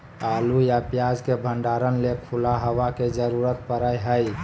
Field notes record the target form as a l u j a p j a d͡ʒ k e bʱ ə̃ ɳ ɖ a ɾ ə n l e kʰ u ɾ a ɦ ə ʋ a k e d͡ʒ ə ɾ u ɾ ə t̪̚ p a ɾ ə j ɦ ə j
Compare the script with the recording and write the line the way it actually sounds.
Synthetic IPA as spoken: a l u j a p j a d͡ʒ k e bʱ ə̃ ɳ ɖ a ɾ ə n l e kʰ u l a ɦ ə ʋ a k e d͡ʒ ə ɾ u ɾ ə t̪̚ p ə ɾ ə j ɦ ə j